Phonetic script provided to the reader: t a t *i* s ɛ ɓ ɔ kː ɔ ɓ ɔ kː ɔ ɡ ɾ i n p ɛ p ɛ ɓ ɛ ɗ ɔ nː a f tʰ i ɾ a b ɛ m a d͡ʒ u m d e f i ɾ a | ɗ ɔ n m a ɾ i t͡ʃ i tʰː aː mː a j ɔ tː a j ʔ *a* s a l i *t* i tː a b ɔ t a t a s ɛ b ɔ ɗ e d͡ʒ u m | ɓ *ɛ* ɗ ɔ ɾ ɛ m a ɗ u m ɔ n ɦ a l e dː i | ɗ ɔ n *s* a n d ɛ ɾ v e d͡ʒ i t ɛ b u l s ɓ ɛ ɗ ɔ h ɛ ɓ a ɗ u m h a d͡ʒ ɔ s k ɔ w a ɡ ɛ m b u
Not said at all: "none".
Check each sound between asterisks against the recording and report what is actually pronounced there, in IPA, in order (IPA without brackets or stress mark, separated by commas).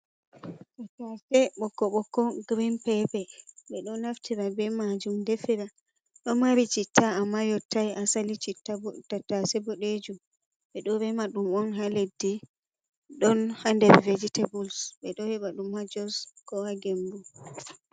a, a, t͡ʃ, ɛ, h